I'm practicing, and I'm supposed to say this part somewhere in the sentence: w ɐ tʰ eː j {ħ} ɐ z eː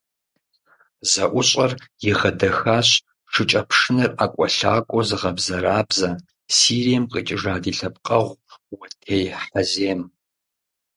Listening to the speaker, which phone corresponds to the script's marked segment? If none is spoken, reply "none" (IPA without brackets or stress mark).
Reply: ħ